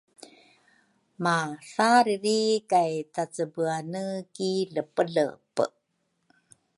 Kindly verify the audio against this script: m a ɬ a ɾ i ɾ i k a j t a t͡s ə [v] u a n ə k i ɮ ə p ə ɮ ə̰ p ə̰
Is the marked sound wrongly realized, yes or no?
yes